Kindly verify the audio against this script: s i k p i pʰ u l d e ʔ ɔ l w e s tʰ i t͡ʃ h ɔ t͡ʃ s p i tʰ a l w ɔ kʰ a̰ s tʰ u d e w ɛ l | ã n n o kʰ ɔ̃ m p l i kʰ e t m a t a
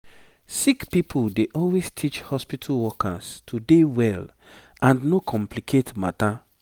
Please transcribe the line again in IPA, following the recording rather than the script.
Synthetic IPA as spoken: s i k p i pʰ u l d e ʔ ɔ l w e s tʰ i t͡ʃ h ɔ s p i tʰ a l w ɔ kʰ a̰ s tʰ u d e w ɛ l | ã n n o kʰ ɔ̃ m p l i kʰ e t m a t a